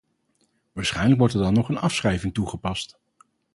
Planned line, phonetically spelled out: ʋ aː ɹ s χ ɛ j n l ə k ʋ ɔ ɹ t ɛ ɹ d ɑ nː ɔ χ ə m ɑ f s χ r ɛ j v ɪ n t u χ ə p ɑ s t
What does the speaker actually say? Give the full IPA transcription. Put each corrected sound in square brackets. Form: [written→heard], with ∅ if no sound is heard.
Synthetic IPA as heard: ʋ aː ɹ s χ ɛ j n l ə k ʋ ɔ ɹ t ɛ ɹ d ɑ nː ɔ χ ə [m→n] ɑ f s χ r ɛ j v ɪ [n→ŋ] t u χ ə p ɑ s t